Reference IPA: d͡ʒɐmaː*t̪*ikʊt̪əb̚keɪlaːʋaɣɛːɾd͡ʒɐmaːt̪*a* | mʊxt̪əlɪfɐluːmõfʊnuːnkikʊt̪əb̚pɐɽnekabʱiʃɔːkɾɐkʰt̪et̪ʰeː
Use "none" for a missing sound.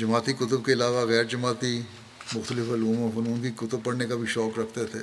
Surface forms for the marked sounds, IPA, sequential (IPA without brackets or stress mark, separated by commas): t̪, i